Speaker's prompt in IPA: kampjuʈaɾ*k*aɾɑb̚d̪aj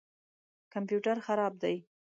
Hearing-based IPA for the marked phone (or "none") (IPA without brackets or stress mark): x